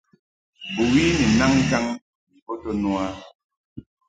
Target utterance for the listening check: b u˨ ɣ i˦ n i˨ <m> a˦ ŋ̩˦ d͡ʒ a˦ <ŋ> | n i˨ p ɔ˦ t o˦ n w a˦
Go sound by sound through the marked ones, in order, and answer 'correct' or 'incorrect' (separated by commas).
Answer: incorrect, correct